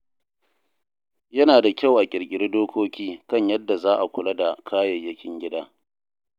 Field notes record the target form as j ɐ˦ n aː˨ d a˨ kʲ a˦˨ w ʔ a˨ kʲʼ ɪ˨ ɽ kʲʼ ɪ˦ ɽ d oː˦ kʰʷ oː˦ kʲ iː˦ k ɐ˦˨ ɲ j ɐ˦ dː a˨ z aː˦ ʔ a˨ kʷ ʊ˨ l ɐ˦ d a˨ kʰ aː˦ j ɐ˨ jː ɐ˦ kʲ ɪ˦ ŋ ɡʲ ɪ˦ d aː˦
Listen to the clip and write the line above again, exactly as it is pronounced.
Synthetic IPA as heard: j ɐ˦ n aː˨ d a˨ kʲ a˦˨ w ʔ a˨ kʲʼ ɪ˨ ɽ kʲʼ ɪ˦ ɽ d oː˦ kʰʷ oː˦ kʲ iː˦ k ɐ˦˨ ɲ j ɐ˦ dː a˨ z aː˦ ʔ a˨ kʷ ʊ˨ l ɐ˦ d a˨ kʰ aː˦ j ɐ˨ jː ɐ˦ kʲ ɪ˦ ŋ ɡʲ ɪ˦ d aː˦